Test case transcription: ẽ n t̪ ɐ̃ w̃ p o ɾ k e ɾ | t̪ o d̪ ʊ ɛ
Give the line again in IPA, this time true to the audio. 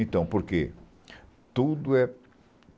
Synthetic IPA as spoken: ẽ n t̪ ɐ̃ w̃ p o ɾ k e | t̪ u d̪ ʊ ɛ